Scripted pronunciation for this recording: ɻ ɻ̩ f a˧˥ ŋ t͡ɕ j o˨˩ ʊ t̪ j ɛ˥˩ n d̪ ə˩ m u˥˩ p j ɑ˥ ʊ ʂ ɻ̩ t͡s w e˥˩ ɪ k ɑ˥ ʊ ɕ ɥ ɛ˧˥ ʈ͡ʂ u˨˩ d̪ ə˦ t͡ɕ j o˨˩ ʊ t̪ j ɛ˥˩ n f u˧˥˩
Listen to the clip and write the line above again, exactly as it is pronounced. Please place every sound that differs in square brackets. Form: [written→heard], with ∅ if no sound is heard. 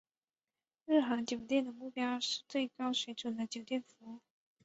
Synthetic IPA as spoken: ɻ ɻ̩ [f→x] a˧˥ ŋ t͡ɕ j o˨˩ ʊ t̪ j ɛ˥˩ n d̪ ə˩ m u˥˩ p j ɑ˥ ʊ ʂ ɻ̩ t͡s w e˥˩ ɪ k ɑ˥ ʊ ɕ ɥ ɛ˧˥ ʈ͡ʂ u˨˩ d̪ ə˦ t͡ɕ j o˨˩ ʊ t̪ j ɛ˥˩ n f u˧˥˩